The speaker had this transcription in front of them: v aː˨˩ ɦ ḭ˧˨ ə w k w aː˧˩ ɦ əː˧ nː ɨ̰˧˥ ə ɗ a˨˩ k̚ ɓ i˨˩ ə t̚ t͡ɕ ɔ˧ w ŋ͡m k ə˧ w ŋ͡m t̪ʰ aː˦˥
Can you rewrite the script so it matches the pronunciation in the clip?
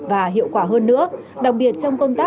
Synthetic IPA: v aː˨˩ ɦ ḭ˧˨ ə w k w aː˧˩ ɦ əː˧ nː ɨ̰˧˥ ə ɗ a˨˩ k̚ ɓ i˨˩ ə t̚ t͡ɕ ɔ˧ w ŋ͡m k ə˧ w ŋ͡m t̪ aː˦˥